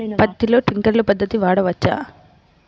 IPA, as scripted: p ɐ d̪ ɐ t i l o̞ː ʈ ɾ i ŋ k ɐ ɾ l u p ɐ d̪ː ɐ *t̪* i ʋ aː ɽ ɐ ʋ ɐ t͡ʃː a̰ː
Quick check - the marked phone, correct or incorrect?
correct